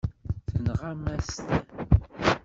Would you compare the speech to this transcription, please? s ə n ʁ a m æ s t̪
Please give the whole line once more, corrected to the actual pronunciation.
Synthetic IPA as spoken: θ ə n ʁ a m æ s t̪

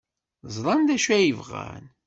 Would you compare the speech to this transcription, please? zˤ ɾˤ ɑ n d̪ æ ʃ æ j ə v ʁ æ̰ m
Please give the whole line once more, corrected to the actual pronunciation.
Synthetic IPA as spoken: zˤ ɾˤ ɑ n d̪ æ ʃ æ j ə v ʁ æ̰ n

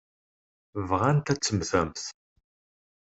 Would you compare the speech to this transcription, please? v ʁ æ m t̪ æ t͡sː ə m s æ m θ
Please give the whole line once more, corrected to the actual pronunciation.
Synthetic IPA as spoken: v ʁ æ n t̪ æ t͡sː ə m θ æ m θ

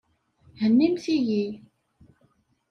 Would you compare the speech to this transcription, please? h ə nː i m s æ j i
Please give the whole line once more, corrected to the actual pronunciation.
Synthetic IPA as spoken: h ə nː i m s i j i

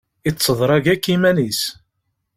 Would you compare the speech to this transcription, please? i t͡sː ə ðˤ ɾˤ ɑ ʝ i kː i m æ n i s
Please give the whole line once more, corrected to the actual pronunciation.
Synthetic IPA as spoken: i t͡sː ə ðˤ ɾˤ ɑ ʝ æ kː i m æ n i s

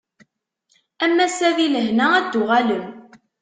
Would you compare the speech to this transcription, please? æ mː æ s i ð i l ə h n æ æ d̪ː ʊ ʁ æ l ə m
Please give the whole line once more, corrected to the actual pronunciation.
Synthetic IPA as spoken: æ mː æ s æ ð i l ə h n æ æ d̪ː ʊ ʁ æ l ə m

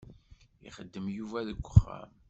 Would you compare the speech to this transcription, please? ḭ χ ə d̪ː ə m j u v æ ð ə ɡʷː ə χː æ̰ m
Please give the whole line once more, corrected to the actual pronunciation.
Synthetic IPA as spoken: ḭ χ ə d̪ː ə m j u v æ ð ə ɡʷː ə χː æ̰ m

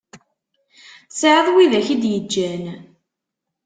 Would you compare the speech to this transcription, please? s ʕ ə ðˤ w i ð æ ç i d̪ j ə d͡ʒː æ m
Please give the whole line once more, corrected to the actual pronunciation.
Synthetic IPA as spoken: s ʕ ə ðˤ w i ð æ ç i d̪ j ə d͡ʒː æ n

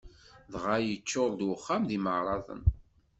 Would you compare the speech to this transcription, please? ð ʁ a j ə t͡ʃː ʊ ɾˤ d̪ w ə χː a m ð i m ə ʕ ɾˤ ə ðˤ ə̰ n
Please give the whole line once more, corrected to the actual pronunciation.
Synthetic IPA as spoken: ð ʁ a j ə t͡ʃː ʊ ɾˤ d̪ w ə χː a m ð i m ə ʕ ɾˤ ɑ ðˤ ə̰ n

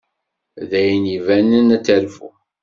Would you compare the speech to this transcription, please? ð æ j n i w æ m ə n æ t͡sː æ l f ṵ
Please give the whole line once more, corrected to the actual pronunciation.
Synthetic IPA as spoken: ð æ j n i v æ n ə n æ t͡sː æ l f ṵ

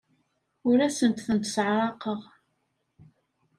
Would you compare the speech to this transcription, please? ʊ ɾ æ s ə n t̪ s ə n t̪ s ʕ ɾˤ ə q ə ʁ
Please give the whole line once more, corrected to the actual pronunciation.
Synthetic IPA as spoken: ʊ ɾ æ s ə n t̪ θ ə n t̪ s ʕ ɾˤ ɑ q ə ʁ

